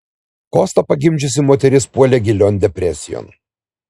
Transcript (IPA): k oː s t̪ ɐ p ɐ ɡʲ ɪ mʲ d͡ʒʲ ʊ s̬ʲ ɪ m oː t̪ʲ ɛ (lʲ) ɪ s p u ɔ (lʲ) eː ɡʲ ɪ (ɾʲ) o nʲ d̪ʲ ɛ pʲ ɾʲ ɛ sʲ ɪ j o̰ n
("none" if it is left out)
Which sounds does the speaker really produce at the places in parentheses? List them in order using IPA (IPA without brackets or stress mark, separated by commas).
ɾʲ, lʲ, lʲ